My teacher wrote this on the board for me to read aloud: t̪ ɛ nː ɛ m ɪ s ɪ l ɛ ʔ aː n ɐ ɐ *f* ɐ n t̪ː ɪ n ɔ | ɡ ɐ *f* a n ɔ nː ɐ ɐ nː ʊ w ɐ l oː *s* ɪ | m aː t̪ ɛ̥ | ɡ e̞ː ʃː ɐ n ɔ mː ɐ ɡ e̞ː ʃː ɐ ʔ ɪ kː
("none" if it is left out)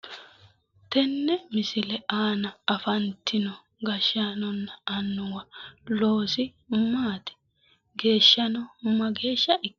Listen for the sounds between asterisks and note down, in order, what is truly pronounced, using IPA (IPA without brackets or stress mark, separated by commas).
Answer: f, ʃ, s